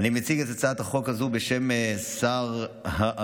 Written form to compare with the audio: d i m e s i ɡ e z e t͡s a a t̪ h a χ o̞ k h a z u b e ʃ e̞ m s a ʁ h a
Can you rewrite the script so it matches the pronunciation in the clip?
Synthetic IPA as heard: n i m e t͡s i ɡ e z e t͡s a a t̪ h a χ o̞ k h a z u b e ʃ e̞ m s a ʁ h a